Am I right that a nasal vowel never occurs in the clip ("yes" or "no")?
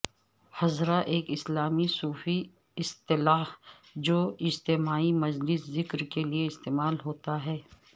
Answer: yes